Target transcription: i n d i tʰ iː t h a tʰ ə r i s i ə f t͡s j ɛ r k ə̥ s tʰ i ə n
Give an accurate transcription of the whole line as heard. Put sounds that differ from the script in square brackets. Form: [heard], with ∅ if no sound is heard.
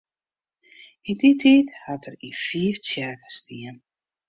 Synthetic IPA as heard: i n d i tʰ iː t h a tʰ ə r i [f] i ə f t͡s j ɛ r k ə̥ s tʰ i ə n